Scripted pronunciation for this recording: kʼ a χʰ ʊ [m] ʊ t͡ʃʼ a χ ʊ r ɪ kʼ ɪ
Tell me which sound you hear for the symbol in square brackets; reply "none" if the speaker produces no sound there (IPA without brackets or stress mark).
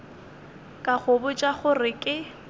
b